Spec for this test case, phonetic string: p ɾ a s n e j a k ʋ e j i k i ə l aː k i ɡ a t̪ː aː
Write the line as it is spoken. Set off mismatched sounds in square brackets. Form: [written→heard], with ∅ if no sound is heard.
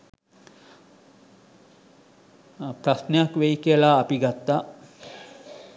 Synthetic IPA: p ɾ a s n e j a k ʋ e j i k i ə l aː [k→p] i ɡ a t̪ː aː

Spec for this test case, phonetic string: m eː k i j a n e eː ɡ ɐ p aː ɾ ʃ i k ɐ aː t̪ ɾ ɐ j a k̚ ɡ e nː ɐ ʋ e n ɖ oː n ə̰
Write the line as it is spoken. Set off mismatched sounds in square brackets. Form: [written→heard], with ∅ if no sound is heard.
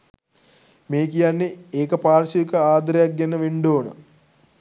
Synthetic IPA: m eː k i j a [n→nː] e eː [ɡ→k] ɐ p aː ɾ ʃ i k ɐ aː [t̪→d̪] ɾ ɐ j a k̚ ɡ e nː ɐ ʋ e [n→ɳ] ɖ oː n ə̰

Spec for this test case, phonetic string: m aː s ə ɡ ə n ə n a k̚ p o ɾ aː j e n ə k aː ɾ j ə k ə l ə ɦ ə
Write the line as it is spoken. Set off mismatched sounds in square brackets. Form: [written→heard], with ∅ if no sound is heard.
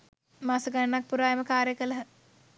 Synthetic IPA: m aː s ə ɡ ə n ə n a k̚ p [o→u] ɾ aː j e [n→m] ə k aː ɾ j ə k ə l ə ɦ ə

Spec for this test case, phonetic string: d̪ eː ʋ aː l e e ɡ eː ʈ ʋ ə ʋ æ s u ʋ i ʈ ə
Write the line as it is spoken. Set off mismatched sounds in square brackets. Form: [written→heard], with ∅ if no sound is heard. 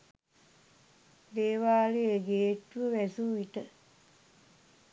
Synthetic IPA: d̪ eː ʋ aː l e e ɡ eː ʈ ʋ ə ʋ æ s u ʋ i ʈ ə

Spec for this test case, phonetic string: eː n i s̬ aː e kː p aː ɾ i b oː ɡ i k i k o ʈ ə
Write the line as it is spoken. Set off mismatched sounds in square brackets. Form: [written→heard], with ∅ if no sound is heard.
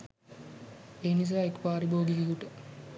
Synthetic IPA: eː n i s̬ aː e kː p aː ɾ i b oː ɡ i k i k [o→u] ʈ ə

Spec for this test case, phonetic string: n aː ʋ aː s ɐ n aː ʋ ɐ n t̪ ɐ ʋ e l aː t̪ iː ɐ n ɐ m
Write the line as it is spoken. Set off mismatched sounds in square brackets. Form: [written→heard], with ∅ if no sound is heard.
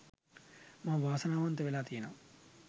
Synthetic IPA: [n→m] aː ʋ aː s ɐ n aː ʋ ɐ n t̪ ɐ ʋ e l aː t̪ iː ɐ n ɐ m

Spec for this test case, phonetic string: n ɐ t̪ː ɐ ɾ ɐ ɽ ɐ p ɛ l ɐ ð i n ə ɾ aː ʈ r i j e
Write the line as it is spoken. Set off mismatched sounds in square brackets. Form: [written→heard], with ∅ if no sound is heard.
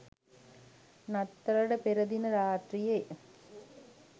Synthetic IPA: n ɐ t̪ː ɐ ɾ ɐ ɽ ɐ p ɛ [l→ɾ] ɐ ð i n [ə→ɐ] ɾ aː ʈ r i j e

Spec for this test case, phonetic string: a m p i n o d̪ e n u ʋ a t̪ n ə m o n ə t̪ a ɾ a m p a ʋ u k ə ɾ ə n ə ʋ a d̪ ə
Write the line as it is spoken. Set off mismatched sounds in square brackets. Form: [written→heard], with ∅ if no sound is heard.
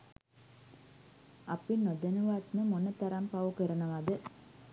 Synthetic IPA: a [m→∅] p i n o d̪ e n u ʋ a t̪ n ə m o n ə t̪ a ɾ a m p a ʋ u k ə ɾ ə n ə ʋ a d̪ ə

